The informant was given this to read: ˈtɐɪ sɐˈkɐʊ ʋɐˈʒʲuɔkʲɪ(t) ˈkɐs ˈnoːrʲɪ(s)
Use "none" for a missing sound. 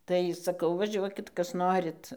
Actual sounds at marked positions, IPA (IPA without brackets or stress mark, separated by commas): t, t